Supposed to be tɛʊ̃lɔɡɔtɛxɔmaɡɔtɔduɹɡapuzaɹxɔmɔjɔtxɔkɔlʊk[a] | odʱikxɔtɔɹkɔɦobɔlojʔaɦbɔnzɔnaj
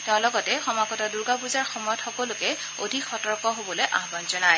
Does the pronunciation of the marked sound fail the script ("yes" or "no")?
yes